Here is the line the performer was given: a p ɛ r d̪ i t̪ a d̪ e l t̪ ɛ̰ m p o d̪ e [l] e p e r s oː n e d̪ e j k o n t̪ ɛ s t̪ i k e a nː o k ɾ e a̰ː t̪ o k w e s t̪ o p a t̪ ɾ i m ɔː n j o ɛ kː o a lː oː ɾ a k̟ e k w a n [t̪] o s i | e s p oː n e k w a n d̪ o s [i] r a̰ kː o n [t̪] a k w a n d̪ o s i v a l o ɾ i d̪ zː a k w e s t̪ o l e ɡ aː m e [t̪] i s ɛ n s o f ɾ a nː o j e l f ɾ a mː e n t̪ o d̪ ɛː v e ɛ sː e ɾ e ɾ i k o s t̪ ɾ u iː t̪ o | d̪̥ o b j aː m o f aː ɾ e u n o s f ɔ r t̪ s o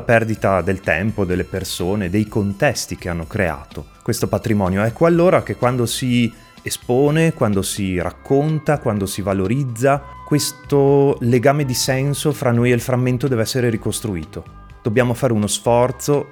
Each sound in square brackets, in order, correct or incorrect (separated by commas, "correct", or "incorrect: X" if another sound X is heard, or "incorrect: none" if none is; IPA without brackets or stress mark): incorrect: lː, incorrect: d̪, correct, correct, incorrect: d̪